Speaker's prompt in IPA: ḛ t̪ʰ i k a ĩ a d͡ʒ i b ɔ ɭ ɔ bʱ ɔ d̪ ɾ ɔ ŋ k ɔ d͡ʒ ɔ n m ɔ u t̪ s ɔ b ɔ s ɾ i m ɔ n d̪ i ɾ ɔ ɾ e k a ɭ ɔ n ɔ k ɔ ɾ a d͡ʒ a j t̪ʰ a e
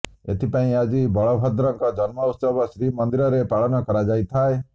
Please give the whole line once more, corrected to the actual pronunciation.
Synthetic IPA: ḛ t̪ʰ i p a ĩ a d͡ʒ i b ɔ ɭ ɔ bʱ ɔ d̪ ɾ ɔ ŋ k ɔ d͡ʒ ɔ n m ɔ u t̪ s ɔ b ɔ s ɾ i m ɔ n d̪ i ɾ ɔ ɾ e p a ɭ ɔ n ɔ k ɔ ɾ a d͡ʒ a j t̪ʰ a e